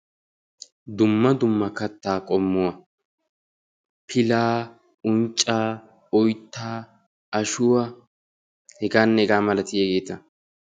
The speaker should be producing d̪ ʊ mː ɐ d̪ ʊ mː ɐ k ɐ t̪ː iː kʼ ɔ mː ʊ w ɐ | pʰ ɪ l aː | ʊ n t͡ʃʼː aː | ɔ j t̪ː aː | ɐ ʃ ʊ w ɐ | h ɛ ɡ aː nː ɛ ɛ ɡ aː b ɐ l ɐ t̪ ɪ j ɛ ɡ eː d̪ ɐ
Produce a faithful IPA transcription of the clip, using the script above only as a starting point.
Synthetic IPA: d̪ ʊ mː ɐ d̪ ʊ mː ɐ k ɐ t̪ː aː kʼ ɔ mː ʊ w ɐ | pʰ ɪ l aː | ʊ n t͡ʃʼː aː | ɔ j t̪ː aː | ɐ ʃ ʊ w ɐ | h ɛ ɡ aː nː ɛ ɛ ɡ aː m ɐ l ɐ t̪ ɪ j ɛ ɡ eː t̪ ɐ